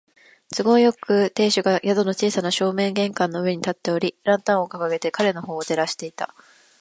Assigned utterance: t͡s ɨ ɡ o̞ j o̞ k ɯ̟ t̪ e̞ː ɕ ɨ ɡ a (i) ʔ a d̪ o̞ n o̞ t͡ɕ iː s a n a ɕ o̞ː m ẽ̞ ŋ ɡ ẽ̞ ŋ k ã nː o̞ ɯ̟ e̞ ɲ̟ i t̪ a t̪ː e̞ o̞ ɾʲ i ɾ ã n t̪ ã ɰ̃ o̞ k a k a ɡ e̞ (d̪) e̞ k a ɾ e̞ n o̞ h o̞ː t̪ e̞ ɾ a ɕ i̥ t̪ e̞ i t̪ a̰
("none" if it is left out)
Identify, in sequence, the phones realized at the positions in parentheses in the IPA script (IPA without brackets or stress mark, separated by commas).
j, t̪